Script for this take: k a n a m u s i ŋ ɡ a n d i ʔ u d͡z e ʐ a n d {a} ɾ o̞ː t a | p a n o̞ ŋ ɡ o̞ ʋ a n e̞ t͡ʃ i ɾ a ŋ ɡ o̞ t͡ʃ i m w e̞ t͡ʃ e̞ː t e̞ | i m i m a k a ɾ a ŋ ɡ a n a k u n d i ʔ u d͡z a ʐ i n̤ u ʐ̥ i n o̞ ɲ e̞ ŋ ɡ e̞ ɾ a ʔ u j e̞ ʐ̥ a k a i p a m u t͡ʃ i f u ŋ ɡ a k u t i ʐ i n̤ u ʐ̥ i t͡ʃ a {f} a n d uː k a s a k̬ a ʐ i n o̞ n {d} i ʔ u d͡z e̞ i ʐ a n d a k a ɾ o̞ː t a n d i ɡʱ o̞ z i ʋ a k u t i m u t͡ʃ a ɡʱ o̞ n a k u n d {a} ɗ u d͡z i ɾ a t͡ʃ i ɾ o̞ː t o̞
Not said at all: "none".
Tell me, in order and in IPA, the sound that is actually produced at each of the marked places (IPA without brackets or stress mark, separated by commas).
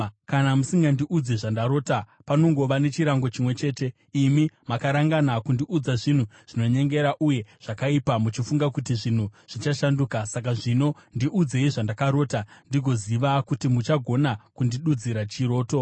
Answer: a, ʃ, d, i